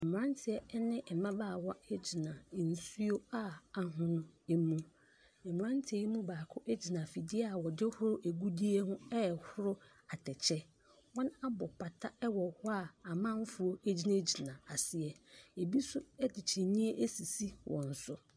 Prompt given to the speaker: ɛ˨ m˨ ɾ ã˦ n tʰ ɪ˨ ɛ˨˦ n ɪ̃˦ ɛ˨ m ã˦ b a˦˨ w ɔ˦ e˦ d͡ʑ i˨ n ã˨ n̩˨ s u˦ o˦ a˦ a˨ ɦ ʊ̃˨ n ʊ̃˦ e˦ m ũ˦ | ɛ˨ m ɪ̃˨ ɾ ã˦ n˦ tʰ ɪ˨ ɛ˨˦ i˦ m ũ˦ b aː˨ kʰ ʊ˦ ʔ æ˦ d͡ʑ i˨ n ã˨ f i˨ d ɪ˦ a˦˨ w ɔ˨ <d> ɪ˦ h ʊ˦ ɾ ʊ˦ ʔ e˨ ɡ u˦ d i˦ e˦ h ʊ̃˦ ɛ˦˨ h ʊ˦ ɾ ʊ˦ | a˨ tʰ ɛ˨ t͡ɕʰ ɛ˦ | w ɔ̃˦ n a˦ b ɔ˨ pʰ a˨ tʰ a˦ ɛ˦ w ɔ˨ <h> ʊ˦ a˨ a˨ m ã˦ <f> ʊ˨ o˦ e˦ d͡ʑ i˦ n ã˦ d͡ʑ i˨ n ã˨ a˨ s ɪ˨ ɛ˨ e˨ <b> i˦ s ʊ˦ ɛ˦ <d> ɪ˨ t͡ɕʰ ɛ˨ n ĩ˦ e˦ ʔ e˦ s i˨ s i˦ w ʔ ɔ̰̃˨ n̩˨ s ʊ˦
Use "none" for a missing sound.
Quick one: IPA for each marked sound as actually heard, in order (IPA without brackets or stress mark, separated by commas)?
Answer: d, h, f, b, d